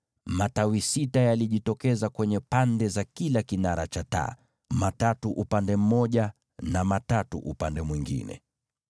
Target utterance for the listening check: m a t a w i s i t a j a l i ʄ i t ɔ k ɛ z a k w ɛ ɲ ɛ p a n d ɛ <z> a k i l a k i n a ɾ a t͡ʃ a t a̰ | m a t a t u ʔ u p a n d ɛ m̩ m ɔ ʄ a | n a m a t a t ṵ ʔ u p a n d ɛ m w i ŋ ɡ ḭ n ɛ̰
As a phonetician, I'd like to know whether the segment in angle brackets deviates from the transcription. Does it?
no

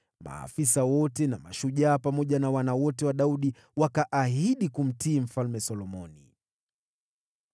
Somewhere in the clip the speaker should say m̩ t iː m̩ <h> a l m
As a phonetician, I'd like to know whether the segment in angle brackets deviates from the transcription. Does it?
yes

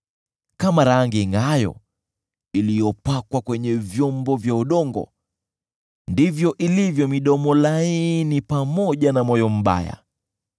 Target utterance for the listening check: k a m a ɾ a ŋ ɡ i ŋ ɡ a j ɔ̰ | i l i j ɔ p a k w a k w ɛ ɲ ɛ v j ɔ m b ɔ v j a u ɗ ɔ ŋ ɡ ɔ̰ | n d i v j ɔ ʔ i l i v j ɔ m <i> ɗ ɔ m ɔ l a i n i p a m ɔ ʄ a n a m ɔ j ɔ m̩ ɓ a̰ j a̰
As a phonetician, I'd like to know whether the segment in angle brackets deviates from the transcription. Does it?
no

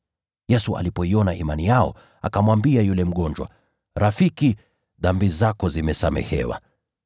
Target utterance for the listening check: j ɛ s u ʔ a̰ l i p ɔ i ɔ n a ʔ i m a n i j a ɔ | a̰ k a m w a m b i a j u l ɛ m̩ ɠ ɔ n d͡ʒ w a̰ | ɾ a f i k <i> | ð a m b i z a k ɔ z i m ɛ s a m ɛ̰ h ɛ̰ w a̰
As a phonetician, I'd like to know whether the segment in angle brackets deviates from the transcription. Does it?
no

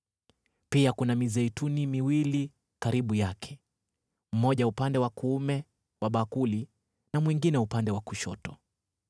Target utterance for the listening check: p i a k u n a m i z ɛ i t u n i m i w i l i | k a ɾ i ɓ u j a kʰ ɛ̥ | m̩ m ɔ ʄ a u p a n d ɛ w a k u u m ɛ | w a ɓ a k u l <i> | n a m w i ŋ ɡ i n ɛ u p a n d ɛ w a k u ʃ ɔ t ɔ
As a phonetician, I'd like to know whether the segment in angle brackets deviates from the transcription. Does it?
no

